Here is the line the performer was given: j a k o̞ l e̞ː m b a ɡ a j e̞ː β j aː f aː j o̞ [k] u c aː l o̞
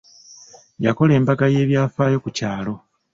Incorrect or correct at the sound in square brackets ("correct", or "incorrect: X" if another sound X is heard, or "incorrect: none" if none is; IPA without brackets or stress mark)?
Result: correct